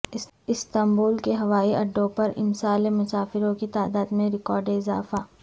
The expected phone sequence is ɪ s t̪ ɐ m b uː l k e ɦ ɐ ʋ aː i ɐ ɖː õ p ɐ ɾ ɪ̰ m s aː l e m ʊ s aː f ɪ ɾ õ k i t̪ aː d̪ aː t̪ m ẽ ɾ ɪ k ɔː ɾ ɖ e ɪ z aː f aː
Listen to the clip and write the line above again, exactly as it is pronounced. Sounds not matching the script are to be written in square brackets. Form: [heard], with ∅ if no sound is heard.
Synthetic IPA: ɪ s t̪ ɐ m b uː l k e ɦ ɐ ʋ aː i ɐ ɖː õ p ɐ ɾ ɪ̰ m s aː l e m ʊ s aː f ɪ ɾ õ k i t̪ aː d̪ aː [d̪] m ẽ ɾ ɪ k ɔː ɾ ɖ e ɪ z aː f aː